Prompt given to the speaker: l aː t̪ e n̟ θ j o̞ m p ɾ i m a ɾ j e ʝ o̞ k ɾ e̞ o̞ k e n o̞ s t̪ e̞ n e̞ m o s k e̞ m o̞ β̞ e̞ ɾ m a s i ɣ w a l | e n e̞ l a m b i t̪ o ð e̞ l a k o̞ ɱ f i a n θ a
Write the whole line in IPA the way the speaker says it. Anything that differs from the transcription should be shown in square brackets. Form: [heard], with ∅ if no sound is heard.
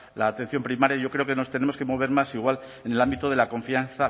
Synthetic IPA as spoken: l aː t̪ e n̟ θ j o̞ m p ɾ i m a ɾ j [a] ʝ o̞ k ɾ e̞ o̞ k e n o̞ s t̪ e̞ n e̞ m o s k e̞ m o̞ β̞ e̞ ɾ m a s i ɣ w a l | e n e̞ l a m b i t̪ o ð e̞ l a k o̞ ɱ f i a n θ a